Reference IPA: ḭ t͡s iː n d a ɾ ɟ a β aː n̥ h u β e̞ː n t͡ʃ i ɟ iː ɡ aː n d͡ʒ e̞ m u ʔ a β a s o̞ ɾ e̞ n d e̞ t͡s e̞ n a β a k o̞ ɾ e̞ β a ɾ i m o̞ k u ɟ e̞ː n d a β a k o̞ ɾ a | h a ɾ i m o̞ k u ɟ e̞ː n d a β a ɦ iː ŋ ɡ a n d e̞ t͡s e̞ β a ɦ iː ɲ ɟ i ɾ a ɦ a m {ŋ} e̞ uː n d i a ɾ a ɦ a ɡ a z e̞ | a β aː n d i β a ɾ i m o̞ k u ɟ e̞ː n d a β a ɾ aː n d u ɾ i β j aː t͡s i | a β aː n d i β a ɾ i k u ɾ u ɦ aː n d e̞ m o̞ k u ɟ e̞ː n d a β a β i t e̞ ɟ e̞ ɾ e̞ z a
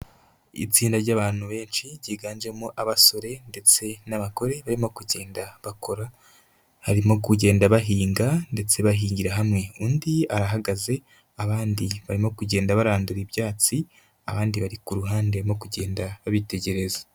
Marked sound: correct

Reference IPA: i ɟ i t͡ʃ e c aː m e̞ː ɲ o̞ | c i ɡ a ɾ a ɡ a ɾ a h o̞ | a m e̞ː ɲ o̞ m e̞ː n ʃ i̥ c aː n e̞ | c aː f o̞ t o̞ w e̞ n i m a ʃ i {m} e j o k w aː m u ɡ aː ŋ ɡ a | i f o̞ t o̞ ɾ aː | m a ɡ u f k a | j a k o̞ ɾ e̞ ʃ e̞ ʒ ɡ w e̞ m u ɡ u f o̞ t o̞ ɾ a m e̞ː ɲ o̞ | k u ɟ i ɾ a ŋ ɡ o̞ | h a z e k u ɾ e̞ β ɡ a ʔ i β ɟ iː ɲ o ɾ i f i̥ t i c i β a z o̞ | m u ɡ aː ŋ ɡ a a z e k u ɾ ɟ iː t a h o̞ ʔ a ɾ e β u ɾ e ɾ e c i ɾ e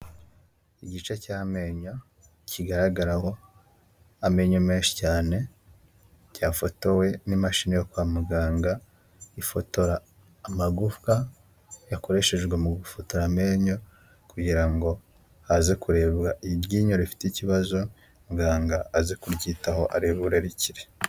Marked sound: incorrect: n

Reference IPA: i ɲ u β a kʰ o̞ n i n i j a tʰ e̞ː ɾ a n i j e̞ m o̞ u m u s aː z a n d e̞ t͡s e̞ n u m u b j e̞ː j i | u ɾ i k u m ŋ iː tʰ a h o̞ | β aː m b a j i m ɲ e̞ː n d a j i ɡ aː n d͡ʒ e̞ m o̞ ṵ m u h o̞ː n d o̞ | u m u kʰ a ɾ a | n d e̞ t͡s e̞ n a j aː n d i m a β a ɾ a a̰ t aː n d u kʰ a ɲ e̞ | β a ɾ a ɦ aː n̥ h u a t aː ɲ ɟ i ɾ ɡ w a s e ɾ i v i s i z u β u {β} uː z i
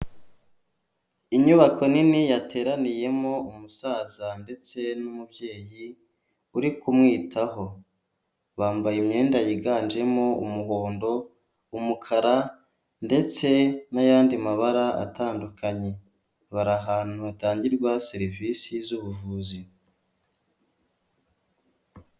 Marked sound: incorrect: v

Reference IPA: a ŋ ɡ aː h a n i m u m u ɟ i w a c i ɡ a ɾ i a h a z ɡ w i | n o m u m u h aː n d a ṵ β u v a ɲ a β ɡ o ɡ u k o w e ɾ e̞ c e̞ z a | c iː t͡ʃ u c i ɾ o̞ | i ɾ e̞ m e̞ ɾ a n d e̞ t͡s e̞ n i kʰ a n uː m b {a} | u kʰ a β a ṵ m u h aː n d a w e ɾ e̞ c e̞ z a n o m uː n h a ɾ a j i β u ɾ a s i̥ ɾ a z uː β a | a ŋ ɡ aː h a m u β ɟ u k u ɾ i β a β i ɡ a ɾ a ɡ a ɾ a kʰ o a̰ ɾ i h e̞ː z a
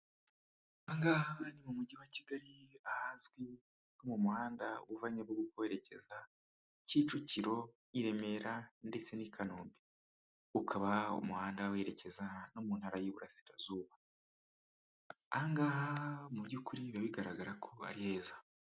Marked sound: incorrect: i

